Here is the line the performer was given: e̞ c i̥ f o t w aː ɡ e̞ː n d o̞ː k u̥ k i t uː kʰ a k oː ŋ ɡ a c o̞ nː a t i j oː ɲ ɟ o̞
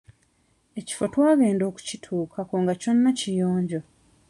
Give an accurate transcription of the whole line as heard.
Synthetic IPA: e̞ c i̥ f o t w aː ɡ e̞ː n d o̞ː k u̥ c i tʰ uː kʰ a k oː ŋ ɡ a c o̞ nː a c i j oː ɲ ɟ o̞

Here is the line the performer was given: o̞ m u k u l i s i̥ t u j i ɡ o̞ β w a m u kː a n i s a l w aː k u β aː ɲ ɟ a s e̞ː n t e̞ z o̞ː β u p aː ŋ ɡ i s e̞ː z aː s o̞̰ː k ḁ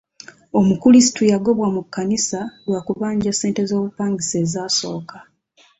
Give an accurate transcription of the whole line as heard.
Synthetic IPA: o̞ m u k u l i s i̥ t u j a ɡ o̞ β w a m u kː a n i s a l w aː k u β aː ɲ ɟ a s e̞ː n t e̞ z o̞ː β u p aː ŋ ɡ i s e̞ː z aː s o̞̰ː k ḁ

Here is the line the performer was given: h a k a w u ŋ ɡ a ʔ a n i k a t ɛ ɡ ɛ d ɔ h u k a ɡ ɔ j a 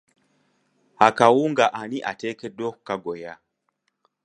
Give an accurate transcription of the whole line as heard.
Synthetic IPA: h a k a w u ŋ ɡ a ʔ a n i ʔ a t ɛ k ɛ d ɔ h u k a ɡ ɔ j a

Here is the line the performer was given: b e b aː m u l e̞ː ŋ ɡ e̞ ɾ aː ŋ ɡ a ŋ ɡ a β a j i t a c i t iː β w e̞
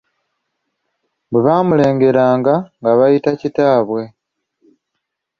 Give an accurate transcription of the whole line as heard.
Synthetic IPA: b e β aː m u l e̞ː ŋ ɡ e̞ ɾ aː ŋ ɡ a ŋ ɡ a β a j i t a c i t aː β w e̞

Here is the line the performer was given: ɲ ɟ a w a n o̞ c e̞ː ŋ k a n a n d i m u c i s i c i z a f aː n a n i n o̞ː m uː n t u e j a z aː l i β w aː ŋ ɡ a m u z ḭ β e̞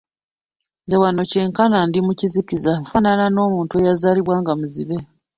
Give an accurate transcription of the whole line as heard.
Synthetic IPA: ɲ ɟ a w a n o̞ c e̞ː ŋ k a n a n d i m u c i z i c i z a f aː n a n a n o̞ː m uː n t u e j a z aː l i β w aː ŋ ɡ a m u z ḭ β e̞

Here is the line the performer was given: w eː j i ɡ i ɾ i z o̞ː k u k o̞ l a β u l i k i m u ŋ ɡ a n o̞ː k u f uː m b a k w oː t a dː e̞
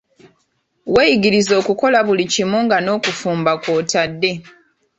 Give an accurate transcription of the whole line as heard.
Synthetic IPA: w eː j i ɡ i ɾ i z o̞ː k u k o̞ l a β u l i c i m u ŋ ɡ a n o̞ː k u f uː m b a k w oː t a dː e̞

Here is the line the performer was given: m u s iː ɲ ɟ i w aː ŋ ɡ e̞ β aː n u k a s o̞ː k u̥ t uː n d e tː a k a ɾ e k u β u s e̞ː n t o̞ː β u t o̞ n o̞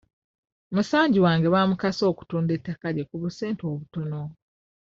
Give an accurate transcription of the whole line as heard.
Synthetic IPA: m u s aː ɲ ɟ i w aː ŋ ɡ e̞ β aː m u k a s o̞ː k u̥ t uː n d e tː a k a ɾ e k u β u s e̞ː n t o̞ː β u t o̞ n o̞

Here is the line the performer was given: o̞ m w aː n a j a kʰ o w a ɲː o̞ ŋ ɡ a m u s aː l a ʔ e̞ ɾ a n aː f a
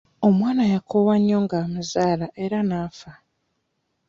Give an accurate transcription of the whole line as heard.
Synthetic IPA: o̞ m w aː n a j a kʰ o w a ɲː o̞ ŋ ɡ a m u z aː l a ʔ e̞ ɾ a n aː f a

